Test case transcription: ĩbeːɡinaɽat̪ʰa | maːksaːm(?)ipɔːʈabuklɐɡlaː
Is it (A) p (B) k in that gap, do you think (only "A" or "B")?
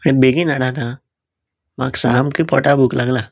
B